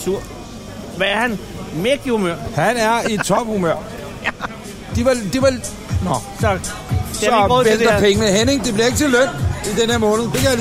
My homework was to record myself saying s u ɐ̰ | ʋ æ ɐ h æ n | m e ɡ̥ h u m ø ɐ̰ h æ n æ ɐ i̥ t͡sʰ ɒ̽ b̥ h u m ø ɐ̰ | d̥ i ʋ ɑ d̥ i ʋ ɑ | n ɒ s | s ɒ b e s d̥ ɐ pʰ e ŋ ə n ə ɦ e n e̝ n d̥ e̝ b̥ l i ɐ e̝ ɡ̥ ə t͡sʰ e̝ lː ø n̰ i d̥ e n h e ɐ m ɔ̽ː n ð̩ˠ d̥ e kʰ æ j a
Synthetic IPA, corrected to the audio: s u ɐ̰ | ʋ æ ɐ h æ n | m e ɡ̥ h u m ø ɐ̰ h æ n æ ɐ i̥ t͡sʰ ɒ̽ b̥ h u m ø ɐ̰ | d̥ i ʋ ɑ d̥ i ʋ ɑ | n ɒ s | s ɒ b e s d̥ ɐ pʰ e ŋ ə n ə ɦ e n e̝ ŋ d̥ e̝ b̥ l i ɐ e̝ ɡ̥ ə t͡sʰ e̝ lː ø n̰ i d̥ e n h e ɐ m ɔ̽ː n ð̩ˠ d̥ e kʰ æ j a